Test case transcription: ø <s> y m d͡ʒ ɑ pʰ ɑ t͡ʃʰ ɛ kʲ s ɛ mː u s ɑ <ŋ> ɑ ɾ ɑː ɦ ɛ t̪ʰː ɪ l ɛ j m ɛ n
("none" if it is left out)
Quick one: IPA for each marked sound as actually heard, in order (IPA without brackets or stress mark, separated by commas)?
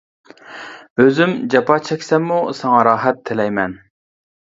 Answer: z, ŋ